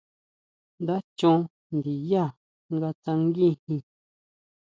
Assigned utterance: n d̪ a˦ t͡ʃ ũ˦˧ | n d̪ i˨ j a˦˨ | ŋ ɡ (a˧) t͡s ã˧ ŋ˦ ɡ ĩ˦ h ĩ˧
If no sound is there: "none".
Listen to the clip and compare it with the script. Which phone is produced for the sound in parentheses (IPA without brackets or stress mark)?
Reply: a˧